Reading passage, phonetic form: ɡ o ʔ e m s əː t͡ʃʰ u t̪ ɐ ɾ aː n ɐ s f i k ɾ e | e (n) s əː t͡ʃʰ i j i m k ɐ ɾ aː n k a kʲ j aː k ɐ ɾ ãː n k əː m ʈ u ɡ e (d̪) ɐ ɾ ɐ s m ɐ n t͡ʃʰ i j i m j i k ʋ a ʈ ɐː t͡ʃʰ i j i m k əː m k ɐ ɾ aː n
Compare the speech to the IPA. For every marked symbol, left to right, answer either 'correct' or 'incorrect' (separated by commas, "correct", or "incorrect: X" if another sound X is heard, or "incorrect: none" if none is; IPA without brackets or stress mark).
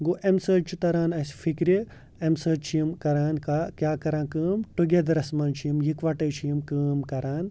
incorrect: m, correct